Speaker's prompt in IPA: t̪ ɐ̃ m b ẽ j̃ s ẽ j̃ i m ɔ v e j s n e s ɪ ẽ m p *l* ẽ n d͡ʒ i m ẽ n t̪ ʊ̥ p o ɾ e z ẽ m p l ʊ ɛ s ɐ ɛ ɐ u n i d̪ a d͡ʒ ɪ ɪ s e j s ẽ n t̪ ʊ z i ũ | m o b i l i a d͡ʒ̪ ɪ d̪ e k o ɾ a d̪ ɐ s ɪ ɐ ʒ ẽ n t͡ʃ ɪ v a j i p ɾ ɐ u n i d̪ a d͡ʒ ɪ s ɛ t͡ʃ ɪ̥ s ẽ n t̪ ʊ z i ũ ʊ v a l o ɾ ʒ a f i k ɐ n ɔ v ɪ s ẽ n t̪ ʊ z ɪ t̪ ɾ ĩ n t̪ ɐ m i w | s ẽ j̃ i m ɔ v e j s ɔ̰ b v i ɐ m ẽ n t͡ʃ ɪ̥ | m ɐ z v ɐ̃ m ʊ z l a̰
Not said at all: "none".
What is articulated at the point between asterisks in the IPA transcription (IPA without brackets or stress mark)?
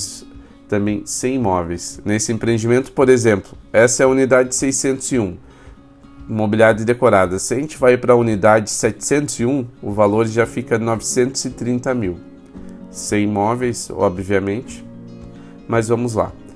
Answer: ɾ